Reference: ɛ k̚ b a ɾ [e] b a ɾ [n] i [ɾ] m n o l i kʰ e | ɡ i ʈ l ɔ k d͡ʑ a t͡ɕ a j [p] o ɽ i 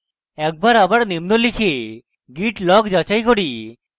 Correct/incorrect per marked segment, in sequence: incorrect, correct, incorrect, incorrect

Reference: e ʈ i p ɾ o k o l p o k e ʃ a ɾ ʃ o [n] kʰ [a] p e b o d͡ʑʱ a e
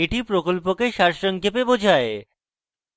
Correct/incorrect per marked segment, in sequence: incorrect, incorrect

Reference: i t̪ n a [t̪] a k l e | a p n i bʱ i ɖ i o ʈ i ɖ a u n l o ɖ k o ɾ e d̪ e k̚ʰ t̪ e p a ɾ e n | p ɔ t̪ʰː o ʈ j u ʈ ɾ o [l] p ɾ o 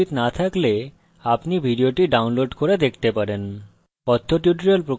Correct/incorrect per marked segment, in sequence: incorrect, correct

